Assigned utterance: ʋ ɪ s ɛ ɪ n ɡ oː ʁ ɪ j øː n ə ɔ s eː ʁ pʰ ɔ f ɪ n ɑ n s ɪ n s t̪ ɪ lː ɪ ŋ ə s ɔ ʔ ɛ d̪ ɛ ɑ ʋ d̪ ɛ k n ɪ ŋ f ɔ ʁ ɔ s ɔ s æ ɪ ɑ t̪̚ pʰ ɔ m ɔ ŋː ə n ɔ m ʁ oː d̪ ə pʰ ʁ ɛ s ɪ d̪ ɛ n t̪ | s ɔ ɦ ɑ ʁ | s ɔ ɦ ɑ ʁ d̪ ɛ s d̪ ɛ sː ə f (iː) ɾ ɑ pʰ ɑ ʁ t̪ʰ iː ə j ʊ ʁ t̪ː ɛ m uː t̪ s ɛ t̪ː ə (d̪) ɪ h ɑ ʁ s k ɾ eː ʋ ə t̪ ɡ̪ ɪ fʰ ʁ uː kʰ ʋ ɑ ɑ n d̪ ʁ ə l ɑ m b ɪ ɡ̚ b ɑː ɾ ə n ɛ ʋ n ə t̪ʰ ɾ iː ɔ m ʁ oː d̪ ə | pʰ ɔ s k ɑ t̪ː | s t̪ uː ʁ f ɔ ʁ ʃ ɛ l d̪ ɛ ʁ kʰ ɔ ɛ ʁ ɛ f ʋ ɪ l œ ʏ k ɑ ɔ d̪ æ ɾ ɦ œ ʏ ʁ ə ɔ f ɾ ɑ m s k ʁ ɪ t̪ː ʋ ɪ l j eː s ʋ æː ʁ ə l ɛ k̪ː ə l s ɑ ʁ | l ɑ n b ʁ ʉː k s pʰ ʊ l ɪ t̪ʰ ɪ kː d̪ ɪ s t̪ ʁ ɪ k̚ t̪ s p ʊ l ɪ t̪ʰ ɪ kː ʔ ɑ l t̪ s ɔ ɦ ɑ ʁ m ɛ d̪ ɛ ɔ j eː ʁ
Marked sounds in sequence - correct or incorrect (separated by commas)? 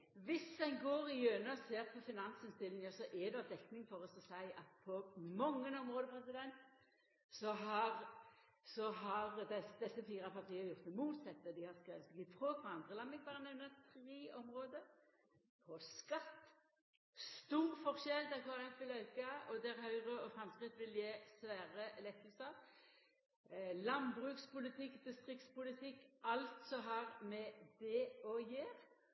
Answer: correct, correct